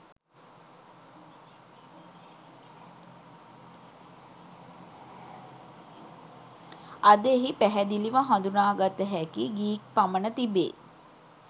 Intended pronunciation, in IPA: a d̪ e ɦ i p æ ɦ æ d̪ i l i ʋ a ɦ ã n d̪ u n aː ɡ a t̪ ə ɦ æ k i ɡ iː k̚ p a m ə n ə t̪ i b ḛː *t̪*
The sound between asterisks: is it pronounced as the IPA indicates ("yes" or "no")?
no